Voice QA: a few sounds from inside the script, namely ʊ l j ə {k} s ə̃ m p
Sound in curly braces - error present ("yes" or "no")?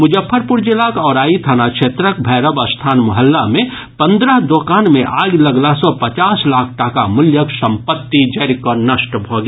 no